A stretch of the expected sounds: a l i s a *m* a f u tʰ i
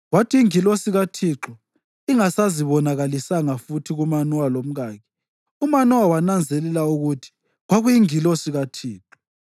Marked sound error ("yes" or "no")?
yes